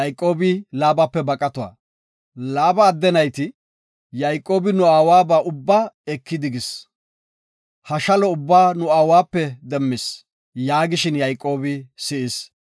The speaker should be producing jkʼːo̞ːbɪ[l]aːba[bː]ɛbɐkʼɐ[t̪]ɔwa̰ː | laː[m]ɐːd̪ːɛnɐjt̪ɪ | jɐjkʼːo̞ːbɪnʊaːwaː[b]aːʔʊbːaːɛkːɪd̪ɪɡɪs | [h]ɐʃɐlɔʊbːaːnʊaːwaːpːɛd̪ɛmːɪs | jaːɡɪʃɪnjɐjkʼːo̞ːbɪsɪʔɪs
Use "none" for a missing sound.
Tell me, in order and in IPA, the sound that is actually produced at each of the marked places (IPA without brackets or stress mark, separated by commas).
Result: l, pː, t̪, b, b, h